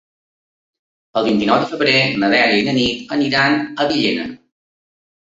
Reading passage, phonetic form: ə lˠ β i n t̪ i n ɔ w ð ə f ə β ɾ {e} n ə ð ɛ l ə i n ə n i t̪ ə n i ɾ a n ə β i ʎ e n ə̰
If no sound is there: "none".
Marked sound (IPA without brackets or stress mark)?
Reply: e